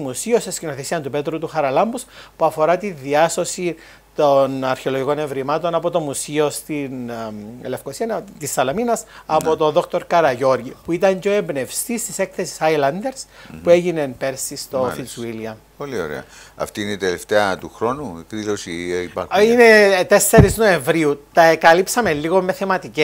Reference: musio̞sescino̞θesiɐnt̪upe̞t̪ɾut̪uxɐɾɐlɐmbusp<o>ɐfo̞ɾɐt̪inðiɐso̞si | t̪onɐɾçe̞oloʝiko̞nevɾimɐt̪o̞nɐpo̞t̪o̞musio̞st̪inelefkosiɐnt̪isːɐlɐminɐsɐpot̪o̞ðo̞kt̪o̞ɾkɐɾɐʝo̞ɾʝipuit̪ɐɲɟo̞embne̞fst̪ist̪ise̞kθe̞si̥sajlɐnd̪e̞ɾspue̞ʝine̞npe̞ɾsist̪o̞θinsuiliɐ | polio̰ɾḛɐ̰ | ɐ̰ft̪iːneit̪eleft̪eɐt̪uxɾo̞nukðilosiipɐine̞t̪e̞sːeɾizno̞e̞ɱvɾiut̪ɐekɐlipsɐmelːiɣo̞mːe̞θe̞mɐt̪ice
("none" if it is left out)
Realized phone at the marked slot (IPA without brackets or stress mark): u